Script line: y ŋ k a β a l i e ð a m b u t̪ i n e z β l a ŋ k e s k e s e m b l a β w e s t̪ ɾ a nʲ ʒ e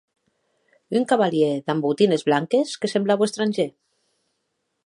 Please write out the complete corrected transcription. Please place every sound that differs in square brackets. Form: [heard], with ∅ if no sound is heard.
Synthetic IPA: y ŋ k a β a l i e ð a m b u t̪ i n e z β l a ŋ k e s k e s e m b l a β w e s t̪ ɾ a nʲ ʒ e